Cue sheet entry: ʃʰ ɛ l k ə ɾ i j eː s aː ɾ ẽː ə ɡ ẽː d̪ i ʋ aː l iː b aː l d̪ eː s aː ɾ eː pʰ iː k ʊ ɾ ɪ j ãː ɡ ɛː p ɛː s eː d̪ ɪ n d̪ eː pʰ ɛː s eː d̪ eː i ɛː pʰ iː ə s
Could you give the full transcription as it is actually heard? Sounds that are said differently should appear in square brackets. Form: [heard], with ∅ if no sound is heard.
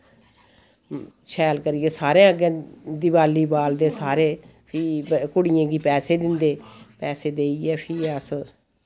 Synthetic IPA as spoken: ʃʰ [ɛː] l k ə ɾ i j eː s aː ɾ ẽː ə ɡ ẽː d̪ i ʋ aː l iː b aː l d̪ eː s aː ɾ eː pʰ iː k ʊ [ɽ] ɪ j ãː ɡ [iː] p ɛː s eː d̪ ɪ n d̪ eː [p] ɛː s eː d̪ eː i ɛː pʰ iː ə s